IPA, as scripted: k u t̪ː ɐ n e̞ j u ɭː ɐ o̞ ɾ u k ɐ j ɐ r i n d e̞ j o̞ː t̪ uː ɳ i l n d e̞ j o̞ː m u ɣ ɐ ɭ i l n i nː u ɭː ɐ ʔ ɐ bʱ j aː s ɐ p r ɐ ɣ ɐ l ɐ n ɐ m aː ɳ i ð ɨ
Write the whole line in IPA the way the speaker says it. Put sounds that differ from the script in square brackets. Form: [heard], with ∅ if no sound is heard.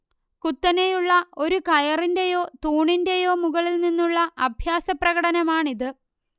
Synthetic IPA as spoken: k u t̪ː ɐ n e̞ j u ɭː ɐ o̞ ɾ u k ɐ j ɐ r i n d e̞ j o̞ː t̪ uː ɳ i [∅] n d e̞ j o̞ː m u ɣ ɐ ɭ i l n i nː u ɭː ɐ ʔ ɐ bʱ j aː s ɐ p r ɐ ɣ ɐ [ɽ] ɐ n ɐ m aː ɳ i ð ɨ